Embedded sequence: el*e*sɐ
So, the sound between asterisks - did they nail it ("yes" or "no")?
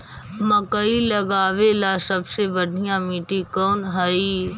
no